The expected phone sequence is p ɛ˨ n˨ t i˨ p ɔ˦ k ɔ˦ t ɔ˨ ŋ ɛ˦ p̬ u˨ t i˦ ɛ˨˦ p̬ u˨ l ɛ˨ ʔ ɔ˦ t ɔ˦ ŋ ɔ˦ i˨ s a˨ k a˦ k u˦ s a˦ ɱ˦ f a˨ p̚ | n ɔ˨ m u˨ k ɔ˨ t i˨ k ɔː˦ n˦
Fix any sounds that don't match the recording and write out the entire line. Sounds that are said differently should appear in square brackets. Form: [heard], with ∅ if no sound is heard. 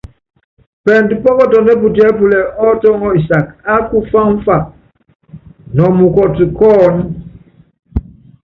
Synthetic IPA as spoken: p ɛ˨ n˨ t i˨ p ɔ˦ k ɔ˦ t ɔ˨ [n] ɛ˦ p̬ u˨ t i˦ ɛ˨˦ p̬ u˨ l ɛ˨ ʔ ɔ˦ t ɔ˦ ŋ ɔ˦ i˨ s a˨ k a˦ k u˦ [f] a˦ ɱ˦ f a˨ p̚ | n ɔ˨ m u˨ k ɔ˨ t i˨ k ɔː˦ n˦